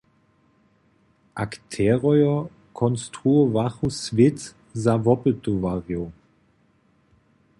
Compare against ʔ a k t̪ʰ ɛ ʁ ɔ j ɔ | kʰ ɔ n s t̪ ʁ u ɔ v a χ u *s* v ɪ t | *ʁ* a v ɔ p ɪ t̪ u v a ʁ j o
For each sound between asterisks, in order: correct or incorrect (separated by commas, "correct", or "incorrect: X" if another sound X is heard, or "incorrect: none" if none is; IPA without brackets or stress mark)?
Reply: correct, incorrect: z